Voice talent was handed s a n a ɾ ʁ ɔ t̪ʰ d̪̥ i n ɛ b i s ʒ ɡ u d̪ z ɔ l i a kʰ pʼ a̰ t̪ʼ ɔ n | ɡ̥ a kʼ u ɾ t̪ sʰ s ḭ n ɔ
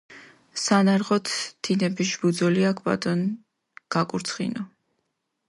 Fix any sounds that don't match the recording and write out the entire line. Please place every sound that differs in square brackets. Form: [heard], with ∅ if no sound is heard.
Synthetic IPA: s a n a ɾ ʁ ɔ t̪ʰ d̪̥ i n ɛ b i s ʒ [b] u d̪ z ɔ l i a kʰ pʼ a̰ t̪ʼ ɔ n | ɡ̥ a kʼ u ɾ t̪ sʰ [χ] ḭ n ɔ